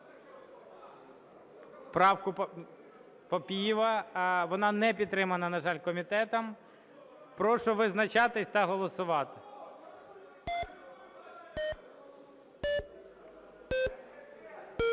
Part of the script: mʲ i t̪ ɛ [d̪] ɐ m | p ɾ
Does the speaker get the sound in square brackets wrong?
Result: yes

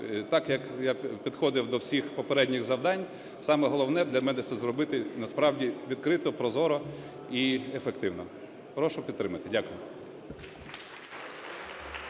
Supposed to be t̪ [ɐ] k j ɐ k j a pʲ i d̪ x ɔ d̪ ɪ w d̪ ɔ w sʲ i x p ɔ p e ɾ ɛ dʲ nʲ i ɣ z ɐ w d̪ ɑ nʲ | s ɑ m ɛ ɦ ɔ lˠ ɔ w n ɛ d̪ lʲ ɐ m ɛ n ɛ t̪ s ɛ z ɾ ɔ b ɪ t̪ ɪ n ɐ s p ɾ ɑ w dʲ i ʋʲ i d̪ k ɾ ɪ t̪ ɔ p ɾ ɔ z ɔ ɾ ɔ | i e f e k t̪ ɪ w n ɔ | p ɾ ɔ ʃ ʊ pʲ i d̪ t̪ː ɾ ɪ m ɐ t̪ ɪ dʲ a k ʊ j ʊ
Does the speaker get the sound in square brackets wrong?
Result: yes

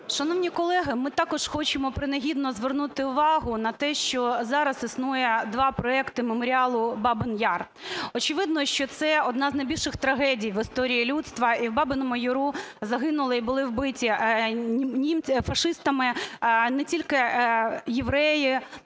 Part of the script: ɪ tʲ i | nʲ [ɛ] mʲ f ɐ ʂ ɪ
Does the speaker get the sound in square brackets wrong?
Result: yes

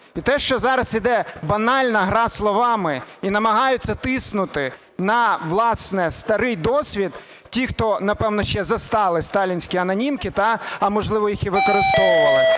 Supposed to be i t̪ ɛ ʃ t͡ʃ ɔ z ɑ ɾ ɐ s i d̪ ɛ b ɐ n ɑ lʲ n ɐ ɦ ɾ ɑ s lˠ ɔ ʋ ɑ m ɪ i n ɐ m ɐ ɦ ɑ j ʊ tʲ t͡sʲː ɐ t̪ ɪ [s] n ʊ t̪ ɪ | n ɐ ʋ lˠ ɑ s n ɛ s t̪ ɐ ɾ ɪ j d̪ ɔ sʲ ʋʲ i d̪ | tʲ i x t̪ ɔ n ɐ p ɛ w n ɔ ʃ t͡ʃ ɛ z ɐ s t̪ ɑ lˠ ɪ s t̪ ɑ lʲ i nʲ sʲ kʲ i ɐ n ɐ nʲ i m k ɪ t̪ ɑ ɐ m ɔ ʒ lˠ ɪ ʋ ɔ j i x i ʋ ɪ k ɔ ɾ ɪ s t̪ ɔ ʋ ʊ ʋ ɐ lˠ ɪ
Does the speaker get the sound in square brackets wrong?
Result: no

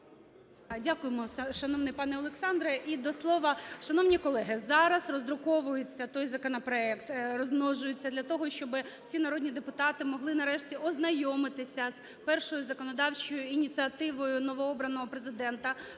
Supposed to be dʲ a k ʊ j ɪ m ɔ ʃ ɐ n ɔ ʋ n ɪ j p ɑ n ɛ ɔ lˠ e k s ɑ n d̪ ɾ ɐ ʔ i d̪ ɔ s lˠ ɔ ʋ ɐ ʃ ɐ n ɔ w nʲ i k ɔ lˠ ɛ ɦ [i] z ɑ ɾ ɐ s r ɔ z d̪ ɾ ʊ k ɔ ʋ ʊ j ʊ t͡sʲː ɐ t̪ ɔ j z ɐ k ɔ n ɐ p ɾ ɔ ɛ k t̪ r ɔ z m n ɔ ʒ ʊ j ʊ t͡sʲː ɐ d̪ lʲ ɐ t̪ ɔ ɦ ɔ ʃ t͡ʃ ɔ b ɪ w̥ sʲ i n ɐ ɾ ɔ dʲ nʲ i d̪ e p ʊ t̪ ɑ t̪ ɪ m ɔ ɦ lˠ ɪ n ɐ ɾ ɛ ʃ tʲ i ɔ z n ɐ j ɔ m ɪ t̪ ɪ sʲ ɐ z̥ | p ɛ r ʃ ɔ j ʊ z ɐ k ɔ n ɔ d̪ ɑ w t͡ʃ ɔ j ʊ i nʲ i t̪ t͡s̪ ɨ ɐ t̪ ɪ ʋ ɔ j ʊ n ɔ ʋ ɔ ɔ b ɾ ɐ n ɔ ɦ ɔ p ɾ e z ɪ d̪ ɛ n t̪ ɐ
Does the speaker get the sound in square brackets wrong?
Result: yes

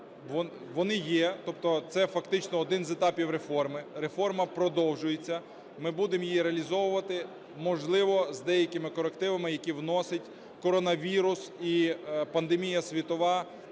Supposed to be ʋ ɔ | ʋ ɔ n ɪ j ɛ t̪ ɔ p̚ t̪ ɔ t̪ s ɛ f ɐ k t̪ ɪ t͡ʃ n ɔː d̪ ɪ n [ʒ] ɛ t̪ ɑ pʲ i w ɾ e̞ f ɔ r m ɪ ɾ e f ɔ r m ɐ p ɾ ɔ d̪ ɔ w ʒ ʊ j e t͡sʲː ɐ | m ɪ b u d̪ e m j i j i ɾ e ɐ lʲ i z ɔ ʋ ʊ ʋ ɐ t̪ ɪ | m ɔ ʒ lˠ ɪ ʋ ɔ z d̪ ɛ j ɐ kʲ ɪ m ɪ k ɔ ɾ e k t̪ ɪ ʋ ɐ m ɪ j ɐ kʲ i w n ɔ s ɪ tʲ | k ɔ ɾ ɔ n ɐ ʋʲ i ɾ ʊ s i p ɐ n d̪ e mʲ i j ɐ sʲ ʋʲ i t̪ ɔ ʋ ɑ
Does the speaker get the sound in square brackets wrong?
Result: yes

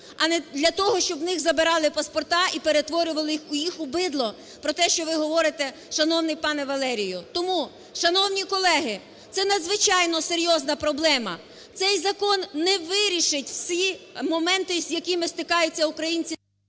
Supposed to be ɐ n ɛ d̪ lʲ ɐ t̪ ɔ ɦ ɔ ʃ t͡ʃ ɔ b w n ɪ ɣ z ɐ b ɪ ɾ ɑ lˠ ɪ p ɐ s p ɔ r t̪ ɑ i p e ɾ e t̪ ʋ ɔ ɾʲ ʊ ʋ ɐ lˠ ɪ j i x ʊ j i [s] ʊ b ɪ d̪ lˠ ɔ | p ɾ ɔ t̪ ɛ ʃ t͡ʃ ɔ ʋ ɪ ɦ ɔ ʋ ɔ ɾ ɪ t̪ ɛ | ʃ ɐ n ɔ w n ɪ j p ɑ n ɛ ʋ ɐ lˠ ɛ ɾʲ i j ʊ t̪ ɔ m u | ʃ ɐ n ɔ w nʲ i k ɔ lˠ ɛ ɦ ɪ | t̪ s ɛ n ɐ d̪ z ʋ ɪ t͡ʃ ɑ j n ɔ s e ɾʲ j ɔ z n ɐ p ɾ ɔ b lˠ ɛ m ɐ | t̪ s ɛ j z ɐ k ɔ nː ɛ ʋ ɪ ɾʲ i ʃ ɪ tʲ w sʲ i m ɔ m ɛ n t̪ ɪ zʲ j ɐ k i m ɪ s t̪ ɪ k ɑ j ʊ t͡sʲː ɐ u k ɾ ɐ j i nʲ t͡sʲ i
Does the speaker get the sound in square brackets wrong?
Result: yes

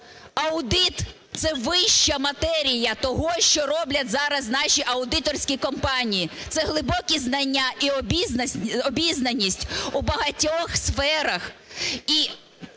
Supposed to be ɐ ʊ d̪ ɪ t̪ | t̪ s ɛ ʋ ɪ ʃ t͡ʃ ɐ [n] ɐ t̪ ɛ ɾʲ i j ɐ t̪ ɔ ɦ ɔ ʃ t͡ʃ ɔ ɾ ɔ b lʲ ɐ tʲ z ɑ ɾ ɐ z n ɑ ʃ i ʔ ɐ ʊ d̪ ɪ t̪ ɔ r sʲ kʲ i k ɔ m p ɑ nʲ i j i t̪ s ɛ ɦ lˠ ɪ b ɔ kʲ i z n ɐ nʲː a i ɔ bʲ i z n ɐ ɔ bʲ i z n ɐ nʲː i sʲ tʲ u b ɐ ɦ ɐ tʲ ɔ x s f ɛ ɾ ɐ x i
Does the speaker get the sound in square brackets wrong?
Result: yes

